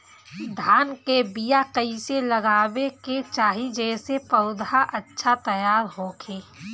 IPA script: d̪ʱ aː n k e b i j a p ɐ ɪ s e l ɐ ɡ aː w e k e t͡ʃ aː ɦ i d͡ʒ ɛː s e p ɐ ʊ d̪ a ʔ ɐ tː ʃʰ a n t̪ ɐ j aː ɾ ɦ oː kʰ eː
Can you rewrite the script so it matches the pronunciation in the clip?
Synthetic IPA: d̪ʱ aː n k e b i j a k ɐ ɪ s e l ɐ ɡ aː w e k e t͡ʃ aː ɦ i d͡ʒ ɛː s e p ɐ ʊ d̪ a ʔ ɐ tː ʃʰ a t̪ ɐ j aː ɾ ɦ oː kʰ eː

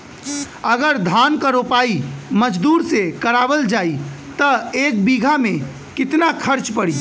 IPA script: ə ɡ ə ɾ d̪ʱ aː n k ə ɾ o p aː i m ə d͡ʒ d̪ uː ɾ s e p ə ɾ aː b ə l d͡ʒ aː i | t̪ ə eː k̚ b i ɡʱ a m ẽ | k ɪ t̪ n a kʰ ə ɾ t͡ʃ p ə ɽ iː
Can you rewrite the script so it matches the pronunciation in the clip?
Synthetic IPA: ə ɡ ə ɾ d̪ʱ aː n k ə ɾ o p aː i m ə d͡ʒ d̪ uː ɾ s e k ə ɾ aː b ə l d͡ʒ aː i | t̪ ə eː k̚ b i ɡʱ a m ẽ | k ɪ t̪ n a kʰ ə ɾ t͡ʃ p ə ɽ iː

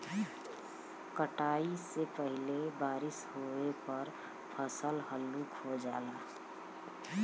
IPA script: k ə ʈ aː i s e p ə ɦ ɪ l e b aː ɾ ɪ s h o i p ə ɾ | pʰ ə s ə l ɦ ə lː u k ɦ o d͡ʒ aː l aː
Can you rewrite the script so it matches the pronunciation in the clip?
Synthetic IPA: k ə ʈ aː i s e p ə ɦ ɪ l e b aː ɾ ɪ s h o e p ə ɾ | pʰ ə s ə l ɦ ə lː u k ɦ o d͡ʒ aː l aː

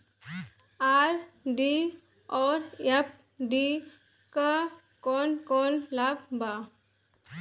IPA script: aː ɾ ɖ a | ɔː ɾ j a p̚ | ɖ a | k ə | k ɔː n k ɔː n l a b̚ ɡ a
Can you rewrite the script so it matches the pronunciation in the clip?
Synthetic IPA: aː ɾ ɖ i | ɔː ɾ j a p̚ | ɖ i | k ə | k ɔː n k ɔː n l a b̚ b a

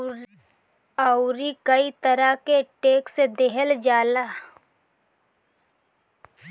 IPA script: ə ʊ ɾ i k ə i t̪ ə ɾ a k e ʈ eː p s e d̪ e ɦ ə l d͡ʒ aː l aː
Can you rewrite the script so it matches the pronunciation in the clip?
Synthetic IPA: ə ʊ ɾ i k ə i t̪ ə ɾ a k e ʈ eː k s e d̪ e ɦ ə l d͡ʒ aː l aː

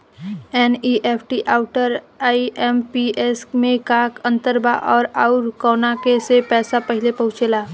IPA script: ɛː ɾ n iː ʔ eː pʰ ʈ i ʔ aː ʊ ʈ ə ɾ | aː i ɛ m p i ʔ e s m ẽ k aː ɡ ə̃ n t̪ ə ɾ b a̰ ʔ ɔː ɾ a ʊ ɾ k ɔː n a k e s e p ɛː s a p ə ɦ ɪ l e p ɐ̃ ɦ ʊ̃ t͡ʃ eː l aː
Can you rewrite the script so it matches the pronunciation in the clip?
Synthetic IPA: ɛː n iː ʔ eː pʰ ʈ i ʔ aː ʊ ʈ ə ɾ | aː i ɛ m p i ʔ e s m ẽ k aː k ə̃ n t̪ ə ɾ b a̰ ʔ ɔː ɾ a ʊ ɾ k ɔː n a k e s e p ɛː s a p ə ɦ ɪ l e p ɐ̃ ɦ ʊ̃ t͡ʃ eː l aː

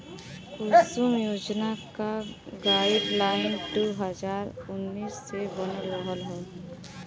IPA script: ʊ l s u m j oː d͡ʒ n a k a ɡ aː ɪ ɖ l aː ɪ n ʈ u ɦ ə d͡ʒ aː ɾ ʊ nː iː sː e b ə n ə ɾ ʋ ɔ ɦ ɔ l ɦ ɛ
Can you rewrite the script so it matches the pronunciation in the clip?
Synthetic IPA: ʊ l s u m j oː d͡ʒ n a k a ɡ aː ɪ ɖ l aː ɪ n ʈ u ɦ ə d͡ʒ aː ɾ ʊ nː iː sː e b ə n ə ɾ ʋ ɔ ɦ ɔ l ɦ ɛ

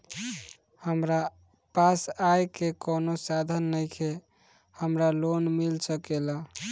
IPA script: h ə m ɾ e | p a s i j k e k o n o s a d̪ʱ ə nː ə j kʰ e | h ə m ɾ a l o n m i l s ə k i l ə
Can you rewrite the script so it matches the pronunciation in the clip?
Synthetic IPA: h ə m ɾ a | p a s a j k e k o n o s a d̪ʱ ə nː ə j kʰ e | h ə m ɾ a l o n m i l s ə k e l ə

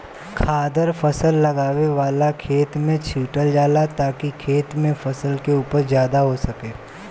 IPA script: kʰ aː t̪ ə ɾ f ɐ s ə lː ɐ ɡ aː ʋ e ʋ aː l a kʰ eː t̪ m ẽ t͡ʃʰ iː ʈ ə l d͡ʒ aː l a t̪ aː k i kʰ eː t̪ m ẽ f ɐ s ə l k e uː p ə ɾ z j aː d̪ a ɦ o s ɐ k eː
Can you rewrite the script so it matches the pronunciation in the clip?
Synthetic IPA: kʰ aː d̪ ə ɾ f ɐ s ə lː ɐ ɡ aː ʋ e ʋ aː l a kʰ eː t̪ m ẽ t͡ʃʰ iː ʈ ə l d͡ʒ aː l a t̪ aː k i kʰ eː t̪ m ẽ f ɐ s ə l k e uː p ə ɾ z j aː d̪ a ɦ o s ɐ k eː

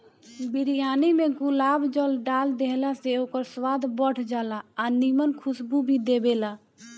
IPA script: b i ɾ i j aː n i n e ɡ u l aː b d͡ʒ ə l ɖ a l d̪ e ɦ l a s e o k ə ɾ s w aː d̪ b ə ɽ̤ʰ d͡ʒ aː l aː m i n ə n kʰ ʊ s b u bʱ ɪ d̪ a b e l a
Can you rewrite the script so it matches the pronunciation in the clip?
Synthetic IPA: b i ɾ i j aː n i m e ɡ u l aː b d͡ʒ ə l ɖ a l d̪ e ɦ l a s e o k ə ɾ s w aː d̪ b ə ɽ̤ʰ d͡ʒ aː l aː n i m ə n kʰ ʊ s b u bʱ i d̪ e b e l a

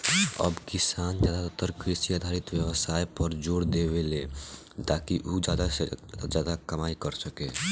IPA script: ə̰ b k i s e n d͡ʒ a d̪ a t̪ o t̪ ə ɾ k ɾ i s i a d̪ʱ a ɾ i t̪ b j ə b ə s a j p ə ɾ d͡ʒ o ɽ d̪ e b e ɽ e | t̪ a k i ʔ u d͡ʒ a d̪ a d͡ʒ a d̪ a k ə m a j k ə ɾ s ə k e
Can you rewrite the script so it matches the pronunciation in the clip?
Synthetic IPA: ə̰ b k i s a n d͡ʒ a d̪ a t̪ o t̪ ə ɾ k ɾ i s i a d̪ʱ a ɾ i t̪ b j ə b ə s a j p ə ɾ d͡ʒ o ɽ d̪ e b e l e | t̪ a k i ʔ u d͡ʒ a d̪ a d͡ʒ a d̪ a k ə m a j k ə ɾ s ə k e

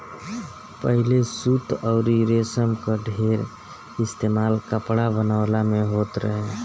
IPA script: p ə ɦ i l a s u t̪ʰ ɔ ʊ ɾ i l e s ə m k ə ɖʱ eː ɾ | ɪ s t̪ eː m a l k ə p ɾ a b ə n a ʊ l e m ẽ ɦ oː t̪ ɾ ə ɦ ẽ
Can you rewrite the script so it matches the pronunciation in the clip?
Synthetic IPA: p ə ɦ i l e s u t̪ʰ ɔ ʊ ɾ i ɾ e s ə m k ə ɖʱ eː ɾ | ɪ s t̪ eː m a l k ə p ɽ a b ə n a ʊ l a m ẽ ɦ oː t̪ ɾ ə ɦ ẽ

